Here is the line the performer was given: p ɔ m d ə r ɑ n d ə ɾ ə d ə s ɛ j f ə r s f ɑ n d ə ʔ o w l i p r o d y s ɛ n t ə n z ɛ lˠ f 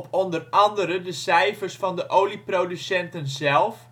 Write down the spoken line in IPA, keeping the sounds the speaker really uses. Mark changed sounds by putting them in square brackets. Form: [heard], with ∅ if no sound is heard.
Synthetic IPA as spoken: p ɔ [n] d ə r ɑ n d ə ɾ ə d ə s ɛ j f ə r s f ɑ n d ə ʔ o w l i p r o d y s ɛ n t ə n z ɛ lˠ f